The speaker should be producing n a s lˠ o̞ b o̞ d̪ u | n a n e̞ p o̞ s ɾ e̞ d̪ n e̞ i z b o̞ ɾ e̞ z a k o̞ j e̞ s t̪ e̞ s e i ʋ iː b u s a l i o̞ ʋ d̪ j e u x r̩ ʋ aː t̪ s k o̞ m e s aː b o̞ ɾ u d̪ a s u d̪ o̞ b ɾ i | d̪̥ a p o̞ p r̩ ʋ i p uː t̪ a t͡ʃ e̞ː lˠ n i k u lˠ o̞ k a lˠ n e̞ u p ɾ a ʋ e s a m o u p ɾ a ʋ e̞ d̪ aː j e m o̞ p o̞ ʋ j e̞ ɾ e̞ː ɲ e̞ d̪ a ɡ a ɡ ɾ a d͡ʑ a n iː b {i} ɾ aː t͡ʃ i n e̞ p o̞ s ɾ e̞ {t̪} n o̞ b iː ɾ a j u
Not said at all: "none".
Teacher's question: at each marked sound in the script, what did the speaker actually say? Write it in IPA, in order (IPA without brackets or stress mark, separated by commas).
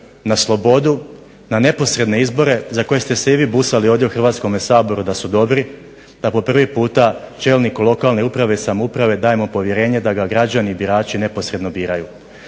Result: i, d̪